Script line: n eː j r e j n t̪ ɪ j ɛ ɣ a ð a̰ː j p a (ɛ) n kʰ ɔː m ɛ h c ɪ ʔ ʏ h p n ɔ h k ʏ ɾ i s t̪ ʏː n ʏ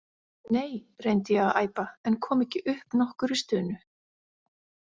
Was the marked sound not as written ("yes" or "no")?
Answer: no